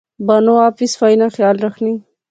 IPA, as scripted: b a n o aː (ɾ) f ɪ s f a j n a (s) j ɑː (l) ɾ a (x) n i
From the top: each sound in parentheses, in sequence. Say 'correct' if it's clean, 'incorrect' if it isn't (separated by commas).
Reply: incorrect, incorrect, correct, correct